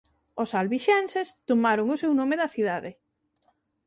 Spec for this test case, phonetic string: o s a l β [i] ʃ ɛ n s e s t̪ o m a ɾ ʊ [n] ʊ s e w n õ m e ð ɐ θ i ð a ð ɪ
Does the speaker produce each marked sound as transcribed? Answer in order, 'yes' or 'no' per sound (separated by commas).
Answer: yes, no